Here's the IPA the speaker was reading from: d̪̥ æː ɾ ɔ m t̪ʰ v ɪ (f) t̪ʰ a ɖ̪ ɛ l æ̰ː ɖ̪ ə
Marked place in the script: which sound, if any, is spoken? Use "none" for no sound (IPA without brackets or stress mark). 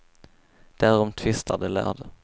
s